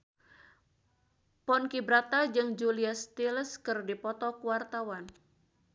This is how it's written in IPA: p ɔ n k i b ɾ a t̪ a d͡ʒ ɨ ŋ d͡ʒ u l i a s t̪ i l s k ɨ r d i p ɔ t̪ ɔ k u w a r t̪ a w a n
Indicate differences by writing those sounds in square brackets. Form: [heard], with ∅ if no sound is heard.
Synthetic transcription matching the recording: p ɔ n k i b ɾ a t̪ a d͡ʒ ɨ ŋ d͡ʒ u l i a s t̪ i l s k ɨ r d i p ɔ t̪ ɔ k u w a r t̪ a w a n